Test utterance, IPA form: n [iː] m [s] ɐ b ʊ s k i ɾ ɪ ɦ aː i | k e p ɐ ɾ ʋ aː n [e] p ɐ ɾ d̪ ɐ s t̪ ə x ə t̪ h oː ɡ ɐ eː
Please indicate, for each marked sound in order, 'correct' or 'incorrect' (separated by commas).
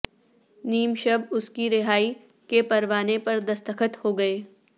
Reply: correct, incorrect, correct